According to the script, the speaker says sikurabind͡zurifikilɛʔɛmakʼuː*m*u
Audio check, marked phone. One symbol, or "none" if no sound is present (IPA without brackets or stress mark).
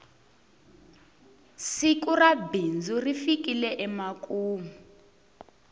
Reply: m